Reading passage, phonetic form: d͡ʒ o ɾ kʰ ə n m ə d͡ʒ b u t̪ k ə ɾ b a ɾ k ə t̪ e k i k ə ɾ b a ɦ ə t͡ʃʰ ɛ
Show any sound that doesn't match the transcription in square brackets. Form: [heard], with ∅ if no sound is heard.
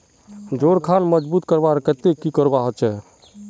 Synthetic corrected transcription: d͡ʒ o ɾ kʰ [a] n m ə d͡ʒ b u t̪ k ə ɾ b a ɾ k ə t̪ e k i k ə ɾ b a ɦ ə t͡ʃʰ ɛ

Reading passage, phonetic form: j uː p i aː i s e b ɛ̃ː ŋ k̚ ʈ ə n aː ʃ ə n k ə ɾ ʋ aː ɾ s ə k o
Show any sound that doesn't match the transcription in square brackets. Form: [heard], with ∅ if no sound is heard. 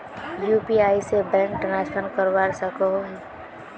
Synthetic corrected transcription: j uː p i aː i s e b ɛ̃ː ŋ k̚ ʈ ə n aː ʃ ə n k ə ɾ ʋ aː ɾ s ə k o

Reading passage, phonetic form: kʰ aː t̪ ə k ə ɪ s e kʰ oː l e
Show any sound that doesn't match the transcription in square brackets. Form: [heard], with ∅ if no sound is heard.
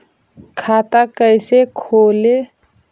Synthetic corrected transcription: kʰ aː t̪ [a] k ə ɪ s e kʰ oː l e

